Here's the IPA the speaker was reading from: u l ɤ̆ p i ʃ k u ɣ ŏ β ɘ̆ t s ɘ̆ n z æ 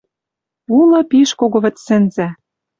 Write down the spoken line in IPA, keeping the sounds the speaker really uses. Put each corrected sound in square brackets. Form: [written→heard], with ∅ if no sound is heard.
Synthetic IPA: u l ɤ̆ p i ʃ k [u→o] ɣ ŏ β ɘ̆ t s ɘ̆ n z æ